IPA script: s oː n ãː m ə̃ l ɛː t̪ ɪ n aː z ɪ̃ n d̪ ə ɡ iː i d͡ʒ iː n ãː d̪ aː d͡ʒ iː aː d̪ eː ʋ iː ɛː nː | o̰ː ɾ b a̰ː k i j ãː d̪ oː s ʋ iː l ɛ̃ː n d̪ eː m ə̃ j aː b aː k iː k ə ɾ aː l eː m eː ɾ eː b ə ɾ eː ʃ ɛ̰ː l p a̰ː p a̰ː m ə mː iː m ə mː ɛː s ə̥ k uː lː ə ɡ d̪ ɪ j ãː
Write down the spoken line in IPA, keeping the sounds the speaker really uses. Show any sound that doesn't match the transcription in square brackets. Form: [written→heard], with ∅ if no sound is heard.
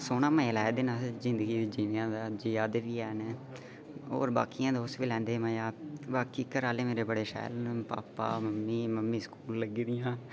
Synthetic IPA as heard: s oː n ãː m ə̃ l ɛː [t̪→d̪] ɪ n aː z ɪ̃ n d̪ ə ɡ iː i d͡ʒ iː n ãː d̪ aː d͡ʒ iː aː d̪ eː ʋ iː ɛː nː | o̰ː ɾ b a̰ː k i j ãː d̪ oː s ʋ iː l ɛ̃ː n d̪ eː m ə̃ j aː b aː k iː k ə ɾ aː l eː m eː ɾ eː b ə [ɾ→ɽ] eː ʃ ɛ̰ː l p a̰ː p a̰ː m ə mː iː m ə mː [ɛː→iː] s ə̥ k uː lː ə ɡ d̪ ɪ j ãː